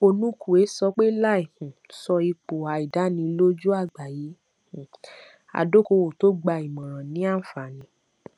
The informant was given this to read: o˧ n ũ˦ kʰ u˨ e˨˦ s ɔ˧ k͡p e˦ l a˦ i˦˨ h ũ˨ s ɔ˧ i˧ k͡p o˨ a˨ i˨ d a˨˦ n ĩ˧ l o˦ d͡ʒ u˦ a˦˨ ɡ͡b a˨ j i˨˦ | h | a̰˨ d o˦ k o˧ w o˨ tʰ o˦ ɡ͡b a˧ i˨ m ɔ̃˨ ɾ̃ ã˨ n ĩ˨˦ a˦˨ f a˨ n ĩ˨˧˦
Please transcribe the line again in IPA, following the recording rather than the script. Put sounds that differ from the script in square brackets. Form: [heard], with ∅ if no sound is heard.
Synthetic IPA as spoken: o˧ n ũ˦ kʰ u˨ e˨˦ s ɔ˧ k͡p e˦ l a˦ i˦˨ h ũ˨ s ɔ˧ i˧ k͡p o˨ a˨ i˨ d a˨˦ n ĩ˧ l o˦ d͡ʒ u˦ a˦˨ ɡ͡b a˨ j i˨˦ | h | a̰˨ d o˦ k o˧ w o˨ [t] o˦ ɡ͡b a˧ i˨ m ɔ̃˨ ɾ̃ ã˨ n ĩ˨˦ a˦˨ f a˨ n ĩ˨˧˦